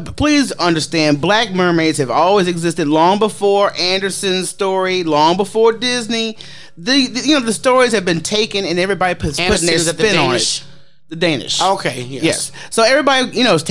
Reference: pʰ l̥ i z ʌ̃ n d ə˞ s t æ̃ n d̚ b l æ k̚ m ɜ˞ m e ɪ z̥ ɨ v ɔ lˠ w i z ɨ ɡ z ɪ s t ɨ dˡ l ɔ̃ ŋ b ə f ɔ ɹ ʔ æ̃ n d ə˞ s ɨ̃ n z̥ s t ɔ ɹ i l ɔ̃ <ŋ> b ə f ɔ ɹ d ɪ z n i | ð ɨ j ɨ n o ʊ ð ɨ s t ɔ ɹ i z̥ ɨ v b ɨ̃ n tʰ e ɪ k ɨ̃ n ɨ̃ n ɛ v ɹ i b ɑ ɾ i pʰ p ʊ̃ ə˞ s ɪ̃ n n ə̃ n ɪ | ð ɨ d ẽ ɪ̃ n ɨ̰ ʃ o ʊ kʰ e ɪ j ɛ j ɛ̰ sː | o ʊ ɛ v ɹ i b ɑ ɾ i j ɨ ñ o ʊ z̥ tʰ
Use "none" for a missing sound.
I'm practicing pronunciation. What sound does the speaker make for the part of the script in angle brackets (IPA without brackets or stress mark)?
ŋ